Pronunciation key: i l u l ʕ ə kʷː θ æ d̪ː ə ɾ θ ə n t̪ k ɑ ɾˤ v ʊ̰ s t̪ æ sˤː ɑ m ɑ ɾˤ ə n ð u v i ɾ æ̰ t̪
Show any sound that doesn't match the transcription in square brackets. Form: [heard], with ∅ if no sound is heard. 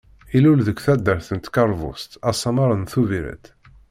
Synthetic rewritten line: i l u l [ð] ə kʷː θ æ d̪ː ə ɾ θ ə n t̪ k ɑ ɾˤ v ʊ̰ s t̪ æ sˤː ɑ m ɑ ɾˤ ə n [θ] u v i ɾ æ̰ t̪

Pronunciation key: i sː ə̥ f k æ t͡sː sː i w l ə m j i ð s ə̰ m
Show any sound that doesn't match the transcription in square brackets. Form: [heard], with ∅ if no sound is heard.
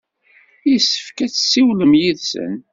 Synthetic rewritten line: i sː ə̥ f k æ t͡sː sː i w l ə m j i ð s ə̰ [n]

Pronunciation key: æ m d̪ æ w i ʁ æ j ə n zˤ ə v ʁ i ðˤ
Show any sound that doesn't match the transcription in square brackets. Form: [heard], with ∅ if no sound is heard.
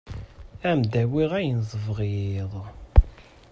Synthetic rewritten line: æ m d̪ æ w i ʁ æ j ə n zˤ ə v ʁ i ðˤ

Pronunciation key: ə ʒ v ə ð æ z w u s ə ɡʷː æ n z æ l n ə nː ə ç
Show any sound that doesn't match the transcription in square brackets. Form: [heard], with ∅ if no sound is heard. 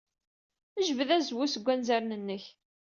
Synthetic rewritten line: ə ʒ v ə ð æ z w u s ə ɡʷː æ n z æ [ɾ] n ə nː ə ç

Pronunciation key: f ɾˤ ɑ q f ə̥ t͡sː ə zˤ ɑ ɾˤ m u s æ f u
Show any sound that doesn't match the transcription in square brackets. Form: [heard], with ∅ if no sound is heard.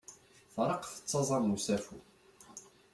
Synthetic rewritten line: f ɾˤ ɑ q f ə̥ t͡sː [ɑ] zˤ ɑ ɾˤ m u s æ f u

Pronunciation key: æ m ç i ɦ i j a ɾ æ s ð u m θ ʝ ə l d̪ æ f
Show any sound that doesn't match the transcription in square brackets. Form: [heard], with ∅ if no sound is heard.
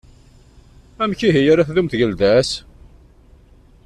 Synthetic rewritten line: æ m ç i ɦ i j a ɾ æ [θ] ð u m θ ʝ ə l d̪ æ [s]

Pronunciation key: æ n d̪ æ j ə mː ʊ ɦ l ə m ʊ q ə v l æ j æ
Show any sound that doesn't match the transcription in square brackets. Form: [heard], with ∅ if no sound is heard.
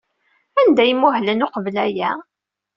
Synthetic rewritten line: æ n d̪ æ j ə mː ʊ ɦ l ə [n] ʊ q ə v l æ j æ

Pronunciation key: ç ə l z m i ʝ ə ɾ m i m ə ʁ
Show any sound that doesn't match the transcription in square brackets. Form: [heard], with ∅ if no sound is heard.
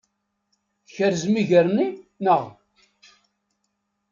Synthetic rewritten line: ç ə [ɾ] z m i ʝ ə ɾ [n] i [n] ə ʁ

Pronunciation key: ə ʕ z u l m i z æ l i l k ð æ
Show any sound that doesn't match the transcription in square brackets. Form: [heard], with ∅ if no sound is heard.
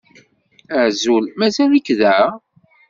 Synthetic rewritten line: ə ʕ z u l m [æ] z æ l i [∅] k ð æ

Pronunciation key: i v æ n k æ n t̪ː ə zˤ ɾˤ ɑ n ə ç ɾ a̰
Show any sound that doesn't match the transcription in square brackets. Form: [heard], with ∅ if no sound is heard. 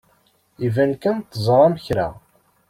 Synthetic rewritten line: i v æ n k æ n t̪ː ə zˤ ɾˤ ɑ [m] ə ç ɾ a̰

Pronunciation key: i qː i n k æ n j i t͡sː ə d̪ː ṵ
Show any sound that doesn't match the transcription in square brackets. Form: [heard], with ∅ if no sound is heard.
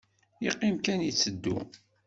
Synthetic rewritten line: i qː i [m] k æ n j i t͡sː ə d̪ː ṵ

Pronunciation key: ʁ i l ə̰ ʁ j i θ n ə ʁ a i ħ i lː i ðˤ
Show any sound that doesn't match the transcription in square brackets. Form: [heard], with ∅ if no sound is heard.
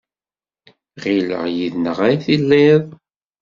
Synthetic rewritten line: ʁ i l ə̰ ʁ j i [ð] n ə ʁ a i [θ] i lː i ðˤ

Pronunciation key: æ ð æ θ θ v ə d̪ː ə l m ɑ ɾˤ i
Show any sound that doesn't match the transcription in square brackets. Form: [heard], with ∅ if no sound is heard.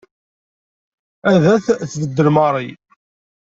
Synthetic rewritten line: æ ð æ θ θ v ə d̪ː ə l m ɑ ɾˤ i

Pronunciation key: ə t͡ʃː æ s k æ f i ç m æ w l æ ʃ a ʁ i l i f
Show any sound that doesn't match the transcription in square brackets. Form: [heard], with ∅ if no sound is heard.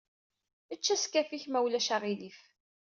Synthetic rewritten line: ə t͡ʃː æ s k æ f i ç m æ w l æ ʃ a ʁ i l i f

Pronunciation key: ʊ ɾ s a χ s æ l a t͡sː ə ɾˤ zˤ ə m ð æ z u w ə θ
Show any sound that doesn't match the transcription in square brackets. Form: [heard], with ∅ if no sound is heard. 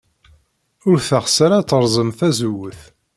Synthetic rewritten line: ʊ ɾ [θ] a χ s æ [ɾ] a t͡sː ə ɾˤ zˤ ə m [θ] æ z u w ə θ

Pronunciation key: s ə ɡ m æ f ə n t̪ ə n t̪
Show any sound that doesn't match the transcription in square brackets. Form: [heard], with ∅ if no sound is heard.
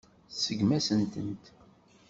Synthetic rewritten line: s ə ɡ m æ [s] ə n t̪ ə n t̪

